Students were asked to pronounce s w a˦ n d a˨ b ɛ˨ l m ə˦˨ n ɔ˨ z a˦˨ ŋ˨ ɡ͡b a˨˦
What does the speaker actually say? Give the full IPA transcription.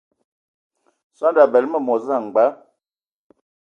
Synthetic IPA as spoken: s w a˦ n d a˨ b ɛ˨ l m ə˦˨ m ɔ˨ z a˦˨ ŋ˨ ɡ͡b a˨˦